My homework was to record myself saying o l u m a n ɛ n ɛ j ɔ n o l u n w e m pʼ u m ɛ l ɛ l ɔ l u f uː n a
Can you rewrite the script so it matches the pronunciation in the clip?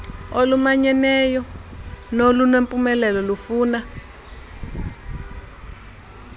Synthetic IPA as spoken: o l u m a ɲ ɛ n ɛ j ɔ n o l u n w e m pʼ u m ɛ l ɛ l ɔ l u f uː n a